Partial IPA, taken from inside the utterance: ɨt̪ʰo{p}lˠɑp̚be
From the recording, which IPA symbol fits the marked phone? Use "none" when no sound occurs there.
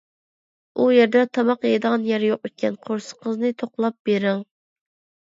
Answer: q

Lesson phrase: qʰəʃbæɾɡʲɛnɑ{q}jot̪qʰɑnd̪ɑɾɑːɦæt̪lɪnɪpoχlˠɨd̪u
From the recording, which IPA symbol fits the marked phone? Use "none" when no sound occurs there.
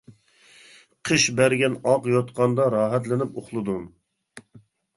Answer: q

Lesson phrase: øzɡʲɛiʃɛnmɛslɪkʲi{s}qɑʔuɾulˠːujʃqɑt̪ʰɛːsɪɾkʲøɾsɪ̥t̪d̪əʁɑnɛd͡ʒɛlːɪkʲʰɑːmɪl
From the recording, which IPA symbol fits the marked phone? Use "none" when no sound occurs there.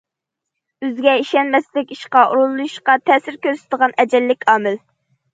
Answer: ʃ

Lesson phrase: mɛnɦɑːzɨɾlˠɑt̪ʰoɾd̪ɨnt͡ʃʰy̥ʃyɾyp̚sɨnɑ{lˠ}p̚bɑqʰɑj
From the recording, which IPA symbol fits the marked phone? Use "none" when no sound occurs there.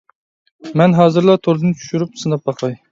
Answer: none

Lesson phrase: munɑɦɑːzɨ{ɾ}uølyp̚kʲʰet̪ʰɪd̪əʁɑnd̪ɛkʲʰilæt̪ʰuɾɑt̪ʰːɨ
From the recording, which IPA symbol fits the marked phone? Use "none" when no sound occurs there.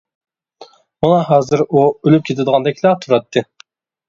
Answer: ɾ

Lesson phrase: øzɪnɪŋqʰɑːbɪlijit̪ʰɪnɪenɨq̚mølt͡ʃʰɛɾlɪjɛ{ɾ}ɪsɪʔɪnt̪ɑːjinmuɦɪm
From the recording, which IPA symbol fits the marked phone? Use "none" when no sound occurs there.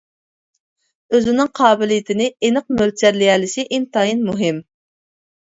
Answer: l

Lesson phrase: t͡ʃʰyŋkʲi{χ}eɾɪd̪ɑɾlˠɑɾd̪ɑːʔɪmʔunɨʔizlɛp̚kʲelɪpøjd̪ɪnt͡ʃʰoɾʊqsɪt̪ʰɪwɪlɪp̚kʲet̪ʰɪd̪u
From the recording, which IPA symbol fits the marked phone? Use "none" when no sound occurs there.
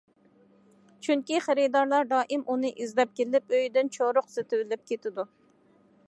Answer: χ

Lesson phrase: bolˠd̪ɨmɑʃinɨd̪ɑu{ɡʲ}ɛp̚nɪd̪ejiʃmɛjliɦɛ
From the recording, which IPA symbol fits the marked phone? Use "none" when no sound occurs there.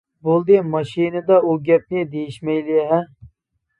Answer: ɡʲ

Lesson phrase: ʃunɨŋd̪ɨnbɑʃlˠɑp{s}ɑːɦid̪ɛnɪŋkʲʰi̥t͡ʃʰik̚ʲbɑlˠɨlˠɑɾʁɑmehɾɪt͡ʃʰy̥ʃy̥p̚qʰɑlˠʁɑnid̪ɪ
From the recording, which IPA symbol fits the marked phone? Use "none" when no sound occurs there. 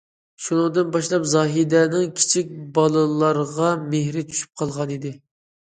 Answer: z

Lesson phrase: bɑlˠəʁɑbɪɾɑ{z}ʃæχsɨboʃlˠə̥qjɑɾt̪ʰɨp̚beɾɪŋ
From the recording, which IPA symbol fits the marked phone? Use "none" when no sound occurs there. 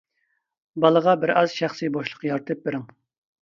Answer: z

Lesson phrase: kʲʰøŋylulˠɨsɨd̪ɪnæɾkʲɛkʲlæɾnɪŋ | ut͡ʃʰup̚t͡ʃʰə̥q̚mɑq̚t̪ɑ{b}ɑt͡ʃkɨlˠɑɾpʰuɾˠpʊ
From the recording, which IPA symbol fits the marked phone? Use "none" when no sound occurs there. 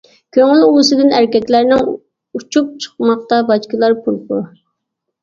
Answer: b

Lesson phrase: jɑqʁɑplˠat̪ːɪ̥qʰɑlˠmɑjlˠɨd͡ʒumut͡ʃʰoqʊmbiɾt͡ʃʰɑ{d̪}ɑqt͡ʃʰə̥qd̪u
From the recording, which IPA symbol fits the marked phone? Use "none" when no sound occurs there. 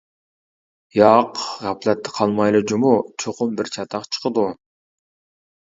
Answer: t̪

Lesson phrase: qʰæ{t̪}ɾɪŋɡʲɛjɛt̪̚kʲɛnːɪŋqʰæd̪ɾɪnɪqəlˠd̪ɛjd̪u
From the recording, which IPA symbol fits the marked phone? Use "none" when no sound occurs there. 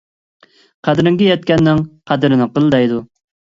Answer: d̪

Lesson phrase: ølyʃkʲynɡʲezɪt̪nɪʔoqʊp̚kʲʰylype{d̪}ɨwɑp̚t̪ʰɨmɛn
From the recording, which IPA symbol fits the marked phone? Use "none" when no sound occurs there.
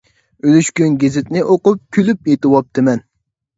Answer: t̪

